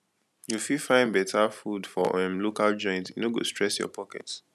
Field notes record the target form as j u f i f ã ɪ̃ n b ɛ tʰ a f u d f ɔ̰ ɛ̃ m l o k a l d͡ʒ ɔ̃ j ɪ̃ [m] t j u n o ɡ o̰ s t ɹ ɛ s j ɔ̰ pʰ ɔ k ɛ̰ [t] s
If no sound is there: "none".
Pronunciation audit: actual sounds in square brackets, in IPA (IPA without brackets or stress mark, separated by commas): n, t